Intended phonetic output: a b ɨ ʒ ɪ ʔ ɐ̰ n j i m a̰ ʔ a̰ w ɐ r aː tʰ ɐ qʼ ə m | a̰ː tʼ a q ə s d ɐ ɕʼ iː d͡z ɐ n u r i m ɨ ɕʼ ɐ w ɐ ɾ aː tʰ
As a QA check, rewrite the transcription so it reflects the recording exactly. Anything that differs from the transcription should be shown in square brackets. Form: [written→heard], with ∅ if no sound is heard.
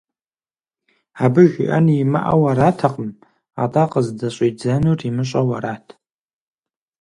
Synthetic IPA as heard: a b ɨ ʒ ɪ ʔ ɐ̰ n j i m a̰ ʔ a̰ w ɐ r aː tʰ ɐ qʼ ə m | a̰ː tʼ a q ə [s→z] d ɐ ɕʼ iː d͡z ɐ n u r i m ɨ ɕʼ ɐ w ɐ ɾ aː tʰ